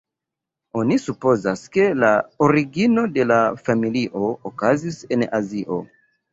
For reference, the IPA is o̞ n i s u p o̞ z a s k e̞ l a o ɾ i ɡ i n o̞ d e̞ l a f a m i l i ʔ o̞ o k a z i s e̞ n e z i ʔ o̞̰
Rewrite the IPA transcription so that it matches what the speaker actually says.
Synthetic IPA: o̞ n i s u p o̞ z a s k e̞ l a o ɾ i ɡ i n o̞ d e̞ l a f a m i l i ʔ o̞ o k a z i s e̞ n a z i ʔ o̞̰